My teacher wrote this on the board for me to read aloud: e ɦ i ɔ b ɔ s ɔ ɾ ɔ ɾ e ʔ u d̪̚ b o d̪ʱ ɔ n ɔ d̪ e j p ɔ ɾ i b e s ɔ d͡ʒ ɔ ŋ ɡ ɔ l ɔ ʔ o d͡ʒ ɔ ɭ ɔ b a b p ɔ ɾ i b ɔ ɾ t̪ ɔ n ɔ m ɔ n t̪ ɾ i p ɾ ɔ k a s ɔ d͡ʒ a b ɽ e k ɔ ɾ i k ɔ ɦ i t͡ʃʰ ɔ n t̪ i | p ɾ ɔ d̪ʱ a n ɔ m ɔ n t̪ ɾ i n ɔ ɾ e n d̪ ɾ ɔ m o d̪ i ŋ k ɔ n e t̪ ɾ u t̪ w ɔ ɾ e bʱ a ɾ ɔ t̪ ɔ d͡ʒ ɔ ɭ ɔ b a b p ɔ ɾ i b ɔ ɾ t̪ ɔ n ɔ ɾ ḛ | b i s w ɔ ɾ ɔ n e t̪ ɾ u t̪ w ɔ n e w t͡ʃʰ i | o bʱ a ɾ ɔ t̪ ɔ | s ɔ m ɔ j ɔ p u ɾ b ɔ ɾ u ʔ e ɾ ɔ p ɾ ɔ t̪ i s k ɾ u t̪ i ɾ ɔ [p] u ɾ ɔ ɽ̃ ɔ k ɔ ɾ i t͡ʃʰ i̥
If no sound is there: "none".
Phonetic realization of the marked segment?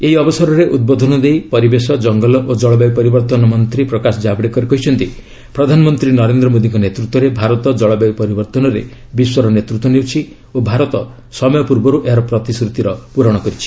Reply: p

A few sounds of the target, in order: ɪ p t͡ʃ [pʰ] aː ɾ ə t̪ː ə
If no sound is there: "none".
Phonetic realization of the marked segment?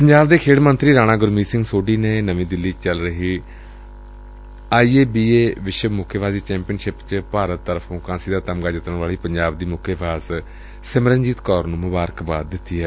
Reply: p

